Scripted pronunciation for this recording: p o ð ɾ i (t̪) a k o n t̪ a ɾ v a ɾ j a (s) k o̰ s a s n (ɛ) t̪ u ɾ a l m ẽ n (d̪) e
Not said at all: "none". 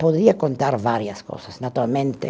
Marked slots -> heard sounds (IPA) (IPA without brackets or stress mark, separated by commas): none, s, a, t̪